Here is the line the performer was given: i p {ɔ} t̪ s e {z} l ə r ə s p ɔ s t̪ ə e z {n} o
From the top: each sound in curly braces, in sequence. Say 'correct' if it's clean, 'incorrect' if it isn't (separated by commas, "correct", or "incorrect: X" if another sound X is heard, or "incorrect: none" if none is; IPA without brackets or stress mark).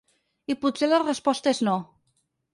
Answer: incorrect: u, incorrect: none, correct